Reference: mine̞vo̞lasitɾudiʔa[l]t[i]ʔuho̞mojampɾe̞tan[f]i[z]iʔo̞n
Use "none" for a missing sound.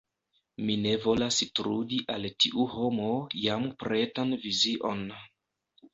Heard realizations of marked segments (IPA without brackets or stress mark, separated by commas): l, i, v, z